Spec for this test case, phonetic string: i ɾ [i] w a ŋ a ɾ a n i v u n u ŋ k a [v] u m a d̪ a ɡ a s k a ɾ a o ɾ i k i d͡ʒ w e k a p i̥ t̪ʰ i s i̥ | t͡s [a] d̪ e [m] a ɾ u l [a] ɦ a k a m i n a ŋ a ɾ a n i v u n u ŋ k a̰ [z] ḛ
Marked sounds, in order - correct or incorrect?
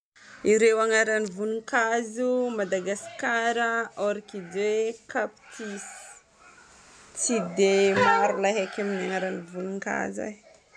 incorrect: e, incorrect: z, incorrect: i, correct, correct, correct

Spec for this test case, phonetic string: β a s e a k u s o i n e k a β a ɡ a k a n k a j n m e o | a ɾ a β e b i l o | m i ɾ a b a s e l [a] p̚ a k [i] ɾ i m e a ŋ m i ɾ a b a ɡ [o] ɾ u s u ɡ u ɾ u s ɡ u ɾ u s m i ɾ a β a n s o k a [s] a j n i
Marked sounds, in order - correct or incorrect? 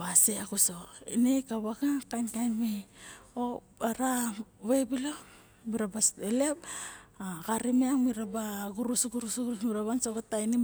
incorrect: e, incorrect: a, incorrect: u, incorrect: t

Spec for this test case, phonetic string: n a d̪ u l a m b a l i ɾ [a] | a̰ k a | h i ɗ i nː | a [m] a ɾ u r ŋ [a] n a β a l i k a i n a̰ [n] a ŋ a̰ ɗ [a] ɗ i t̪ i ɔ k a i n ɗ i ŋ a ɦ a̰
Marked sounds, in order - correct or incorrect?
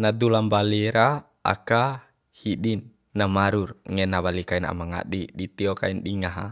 correct, correct, incorrect: ɛ, incorrect: m, incorrect: i

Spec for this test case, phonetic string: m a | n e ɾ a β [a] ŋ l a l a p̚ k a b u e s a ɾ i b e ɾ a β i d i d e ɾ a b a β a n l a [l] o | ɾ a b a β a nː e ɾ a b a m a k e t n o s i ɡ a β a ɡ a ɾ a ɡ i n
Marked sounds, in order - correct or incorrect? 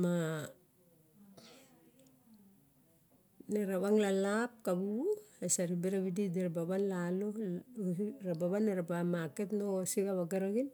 correct, correct

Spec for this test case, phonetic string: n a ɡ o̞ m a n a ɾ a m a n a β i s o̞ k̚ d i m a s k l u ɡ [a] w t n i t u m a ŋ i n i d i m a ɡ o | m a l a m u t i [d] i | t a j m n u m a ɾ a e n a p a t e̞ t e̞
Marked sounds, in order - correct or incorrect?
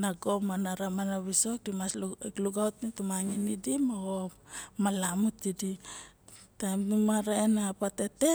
correct, correct

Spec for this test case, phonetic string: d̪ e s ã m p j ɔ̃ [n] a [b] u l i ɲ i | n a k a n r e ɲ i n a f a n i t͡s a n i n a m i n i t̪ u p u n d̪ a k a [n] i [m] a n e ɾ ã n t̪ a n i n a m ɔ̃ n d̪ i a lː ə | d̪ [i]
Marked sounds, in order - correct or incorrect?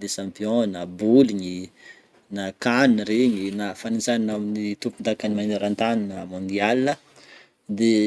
correct, correct, correct, correct, incorrect: e

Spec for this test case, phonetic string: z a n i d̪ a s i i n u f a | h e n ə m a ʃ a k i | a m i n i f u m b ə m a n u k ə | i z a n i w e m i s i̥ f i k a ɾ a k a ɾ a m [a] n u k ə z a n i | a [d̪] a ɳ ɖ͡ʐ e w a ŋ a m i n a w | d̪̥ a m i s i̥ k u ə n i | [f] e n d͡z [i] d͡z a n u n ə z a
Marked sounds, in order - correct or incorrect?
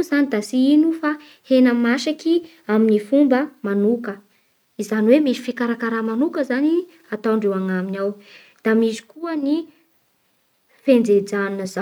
correct, incorrect: t̪, correct, incorrect: e

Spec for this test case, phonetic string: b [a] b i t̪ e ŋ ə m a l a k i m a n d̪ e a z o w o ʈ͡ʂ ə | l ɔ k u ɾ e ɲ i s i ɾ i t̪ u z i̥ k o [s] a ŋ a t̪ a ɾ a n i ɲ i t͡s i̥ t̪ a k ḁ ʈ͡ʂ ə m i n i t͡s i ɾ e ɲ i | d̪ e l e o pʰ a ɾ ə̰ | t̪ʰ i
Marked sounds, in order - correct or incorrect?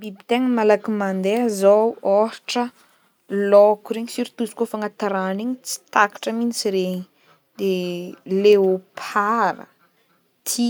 incorrect: i, incorrect: f

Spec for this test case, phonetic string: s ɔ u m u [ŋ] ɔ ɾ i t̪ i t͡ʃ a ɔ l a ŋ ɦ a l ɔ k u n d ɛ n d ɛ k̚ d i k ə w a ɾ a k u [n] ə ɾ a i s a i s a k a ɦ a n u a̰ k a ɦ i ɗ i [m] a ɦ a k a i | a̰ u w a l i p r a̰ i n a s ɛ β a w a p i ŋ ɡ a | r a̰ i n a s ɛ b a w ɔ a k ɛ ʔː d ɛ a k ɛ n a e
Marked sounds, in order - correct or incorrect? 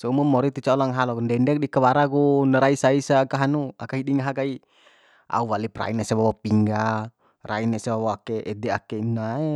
incorrect: m, correct, incorrect: ŋ

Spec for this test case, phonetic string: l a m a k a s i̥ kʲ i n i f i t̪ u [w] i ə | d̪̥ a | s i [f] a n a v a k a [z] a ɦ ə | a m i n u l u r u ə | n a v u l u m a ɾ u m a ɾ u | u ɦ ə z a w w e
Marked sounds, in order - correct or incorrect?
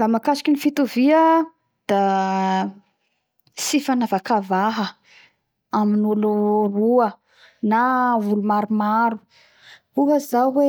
incorrect: v, correct, incorrect: v

